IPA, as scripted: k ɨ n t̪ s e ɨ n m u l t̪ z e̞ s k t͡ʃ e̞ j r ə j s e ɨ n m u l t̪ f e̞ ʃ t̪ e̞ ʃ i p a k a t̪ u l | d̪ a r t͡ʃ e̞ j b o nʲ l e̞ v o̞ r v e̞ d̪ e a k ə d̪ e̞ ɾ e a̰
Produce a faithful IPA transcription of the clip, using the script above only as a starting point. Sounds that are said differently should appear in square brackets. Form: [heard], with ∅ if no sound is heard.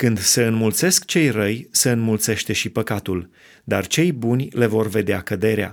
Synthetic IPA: k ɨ n [d̪] s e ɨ n m u l t̪ [s] e̞ s k t͡ʃ e̞ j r ə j s e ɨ n m u l t̪ [s] e̞ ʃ t̪ e̞ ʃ i p [ə] k a t̪ u l | d̪ a r t͡ʃ e̞ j b [u] nʲ l e̞ v o̞ r v e̞ d̪ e a k ə d̪ e̞ ɾ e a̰